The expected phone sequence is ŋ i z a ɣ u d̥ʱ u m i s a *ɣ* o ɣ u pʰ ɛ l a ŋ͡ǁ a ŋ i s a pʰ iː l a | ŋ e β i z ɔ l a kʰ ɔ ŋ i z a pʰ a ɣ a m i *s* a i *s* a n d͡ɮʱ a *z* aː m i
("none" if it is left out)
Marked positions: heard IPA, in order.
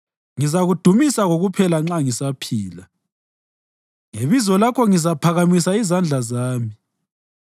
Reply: ɣ, s, z, z

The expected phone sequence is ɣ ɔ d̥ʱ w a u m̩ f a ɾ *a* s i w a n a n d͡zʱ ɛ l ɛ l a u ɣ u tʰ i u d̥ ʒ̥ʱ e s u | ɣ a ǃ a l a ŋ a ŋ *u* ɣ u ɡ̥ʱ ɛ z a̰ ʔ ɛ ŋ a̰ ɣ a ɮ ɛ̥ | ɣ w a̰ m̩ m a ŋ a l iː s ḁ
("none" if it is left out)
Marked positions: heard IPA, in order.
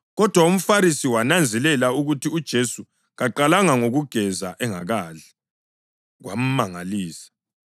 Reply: i, o

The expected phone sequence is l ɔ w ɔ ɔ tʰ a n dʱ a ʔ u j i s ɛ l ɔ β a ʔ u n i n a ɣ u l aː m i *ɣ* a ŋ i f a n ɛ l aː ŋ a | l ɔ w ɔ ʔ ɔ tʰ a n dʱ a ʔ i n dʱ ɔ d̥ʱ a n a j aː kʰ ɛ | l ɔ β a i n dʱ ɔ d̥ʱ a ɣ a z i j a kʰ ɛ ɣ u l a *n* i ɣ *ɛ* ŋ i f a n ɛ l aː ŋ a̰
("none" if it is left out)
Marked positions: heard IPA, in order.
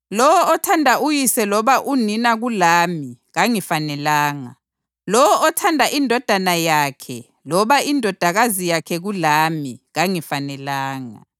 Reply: ɣ, m, a

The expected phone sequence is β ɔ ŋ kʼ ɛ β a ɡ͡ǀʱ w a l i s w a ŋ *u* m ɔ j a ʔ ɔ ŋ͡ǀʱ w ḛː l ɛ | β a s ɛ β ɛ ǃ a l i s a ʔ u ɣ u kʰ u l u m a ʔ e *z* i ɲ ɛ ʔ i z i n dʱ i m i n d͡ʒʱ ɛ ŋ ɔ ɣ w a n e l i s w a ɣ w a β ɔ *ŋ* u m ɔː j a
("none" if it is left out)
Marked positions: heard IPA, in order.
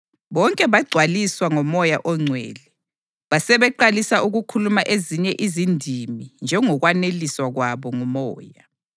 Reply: ɔ, z, ŋ

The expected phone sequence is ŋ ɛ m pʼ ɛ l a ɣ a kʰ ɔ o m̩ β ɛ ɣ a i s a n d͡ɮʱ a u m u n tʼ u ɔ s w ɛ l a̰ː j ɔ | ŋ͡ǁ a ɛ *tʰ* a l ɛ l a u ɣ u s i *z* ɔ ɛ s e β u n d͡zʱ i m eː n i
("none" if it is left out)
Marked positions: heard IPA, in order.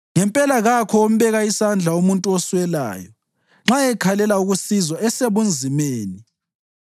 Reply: kʰ, z

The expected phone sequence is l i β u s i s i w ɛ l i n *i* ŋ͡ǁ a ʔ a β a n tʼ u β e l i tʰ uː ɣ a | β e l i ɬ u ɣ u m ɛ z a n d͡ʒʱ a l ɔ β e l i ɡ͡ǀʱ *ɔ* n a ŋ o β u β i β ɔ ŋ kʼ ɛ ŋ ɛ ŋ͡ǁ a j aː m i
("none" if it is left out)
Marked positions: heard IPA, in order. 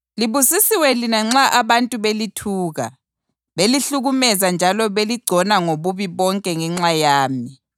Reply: a, ɔ

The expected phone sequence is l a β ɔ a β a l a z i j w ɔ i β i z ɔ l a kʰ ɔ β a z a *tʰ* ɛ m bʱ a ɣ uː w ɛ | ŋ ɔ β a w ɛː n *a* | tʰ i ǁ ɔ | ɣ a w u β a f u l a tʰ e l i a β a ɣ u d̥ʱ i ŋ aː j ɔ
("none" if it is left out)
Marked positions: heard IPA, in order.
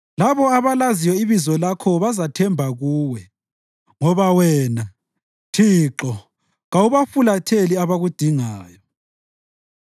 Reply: tʰ, a

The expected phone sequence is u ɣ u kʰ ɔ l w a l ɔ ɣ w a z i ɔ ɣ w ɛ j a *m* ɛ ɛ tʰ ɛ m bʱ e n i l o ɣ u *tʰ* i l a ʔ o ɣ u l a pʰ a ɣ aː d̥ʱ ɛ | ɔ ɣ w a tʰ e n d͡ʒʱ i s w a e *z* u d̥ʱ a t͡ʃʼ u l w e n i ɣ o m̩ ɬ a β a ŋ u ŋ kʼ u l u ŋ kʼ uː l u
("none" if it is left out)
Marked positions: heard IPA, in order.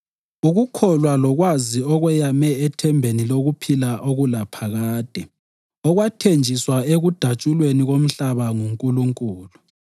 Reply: m, pʰ, ɣ

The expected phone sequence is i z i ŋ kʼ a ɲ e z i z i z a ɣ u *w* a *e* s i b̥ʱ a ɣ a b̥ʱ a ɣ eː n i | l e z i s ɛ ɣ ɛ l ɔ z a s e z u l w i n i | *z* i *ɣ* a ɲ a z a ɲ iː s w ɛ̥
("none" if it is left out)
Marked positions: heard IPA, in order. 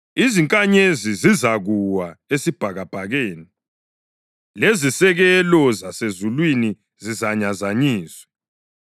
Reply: w, e, z, z

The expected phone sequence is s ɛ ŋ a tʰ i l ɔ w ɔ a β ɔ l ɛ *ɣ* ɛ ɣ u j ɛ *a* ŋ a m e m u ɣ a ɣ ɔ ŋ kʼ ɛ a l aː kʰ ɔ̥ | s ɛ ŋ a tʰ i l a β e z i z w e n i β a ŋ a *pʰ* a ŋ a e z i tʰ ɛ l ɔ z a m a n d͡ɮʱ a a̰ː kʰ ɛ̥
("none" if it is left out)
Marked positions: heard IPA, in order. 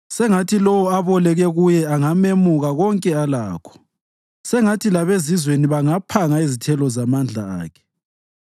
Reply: ɣ, a, pʰ

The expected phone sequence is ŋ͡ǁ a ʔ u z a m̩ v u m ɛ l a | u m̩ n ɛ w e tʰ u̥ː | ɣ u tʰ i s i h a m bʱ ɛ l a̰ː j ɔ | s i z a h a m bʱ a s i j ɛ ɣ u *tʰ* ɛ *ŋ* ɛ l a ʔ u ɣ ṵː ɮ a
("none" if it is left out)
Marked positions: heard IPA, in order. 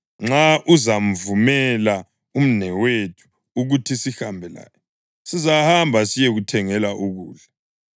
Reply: tʰ, ŋ

